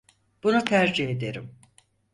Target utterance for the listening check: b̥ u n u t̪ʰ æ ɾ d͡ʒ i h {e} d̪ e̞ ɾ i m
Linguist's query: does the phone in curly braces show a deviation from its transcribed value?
no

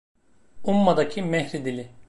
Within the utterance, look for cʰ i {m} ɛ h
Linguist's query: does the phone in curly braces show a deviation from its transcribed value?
no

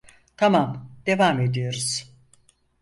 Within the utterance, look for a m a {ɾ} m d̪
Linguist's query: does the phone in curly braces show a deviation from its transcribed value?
yes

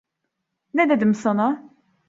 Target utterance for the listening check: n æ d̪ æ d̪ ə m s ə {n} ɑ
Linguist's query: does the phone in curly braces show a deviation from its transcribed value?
no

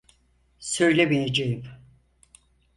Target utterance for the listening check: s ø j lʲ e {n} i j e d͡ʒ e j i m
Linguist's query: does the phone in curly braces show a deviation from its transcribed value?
yes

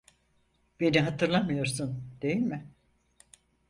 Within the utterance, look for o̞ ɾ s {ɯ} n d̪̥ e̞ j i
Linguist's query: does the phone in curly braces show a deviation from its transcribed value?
yes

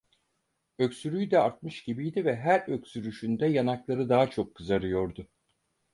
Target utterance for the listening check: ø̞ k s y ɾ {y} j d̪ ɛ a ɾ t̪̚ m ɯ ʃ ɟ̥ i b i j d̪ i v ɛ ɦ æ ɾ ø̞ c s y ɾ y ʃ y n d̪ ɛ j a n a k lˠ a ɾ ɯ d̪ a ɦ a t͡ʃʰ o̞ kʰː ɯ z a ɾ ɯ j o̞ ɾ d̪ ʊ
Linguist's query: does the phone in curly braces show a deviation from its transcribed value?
no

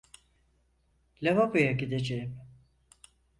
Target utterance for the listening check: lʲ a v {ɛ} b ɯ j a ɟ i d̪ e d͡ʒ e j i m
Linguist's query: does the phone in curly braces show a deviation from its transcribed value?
yes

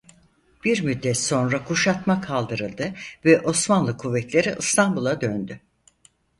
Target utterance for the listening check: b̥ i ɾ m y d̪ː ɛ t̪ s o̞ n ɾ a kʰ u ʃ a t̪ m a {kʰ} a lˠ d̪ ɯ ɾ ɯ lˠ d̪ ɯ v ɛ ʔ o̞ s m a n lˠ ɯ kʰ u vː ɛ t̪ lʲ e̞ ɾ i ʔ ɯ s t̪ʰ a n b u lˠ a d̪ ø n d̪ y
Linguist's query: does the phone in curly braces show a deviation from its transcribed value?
no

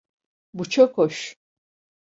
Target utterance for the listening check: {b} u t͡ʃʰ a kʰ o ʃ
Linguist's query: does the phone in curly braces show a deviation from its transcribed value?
no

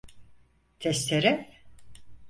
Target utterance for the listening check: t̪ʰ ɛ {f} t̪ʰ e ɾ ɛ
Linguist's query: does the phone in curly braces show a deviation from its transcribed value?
yes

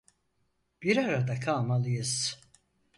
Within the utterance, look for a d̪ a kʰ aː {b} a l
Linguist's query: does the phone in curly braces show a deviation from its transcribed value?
yes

